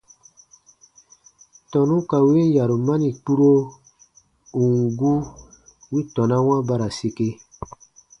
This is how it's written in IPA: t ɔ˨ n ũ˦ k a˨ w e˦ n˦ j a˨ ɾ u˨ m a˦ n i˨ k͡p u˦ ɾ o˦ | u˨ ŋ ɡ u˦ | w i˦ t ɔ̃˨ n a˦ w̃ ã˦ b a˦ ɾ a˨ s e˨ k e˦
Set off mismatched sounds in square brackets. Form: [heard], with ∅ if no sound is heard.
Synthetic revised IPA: t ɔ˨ n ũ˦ k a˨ w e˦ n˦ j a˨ ɾ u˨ m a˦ n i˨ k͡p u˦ ɾ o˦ | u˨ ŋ ɡ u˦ | w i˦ t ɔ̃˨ n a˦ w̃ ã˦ b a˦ ɾ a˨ s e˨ k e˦